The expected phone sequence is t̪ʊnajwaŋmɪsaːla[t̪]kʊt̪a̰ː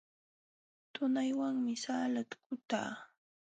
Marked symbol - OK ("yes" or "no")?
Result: yes